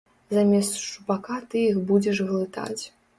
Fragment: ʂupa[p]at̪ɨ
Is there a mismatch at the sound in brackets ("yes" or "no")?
yes